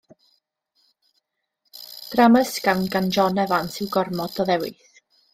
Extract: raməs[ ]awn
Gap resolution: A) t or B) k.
B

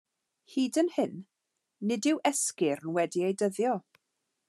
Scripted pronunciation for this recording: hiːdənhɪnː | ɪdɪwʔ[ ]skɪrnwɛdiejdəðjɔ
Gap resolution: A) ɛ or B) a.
A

